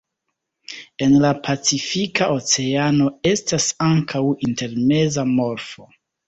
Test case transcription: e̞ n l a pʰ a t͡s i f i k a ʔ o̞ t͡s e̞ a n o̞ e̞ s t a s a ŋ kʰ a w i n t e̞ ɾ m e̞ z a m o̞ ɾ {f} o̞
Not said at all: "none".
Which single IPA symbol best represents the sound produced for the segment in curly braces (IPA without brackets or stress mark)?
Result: f